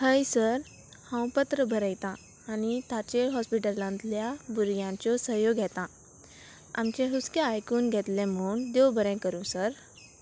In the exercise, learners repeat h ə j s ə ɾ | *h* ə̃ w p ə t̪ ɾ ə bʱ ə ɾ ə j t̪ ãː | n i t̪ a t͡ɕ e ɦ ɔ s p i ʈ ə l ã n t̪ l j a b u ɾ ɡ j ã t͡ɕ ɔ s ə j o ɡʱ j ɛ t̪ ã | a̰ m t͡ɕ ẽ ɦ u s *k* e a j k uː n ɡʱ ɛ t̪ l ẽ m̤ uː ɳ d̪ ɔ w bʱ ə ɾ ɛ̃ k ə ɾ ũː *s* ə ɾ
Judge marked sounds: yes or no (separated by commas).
yes, yes, yes